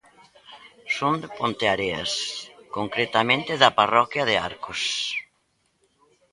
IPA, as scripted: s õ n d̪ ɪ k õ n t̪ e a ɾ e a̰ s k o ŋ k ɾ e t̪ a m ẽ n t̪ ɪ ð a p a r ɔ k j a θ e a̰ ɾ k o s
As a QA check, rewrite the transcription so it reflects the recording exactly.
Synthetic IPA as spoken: s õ n d̪ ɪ p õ n t̪ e a ɾ e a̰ s k o ŋ k ɾ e t̪ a m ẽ n t̪ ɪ ð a p a r ɔ k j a ð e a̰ ɾ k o s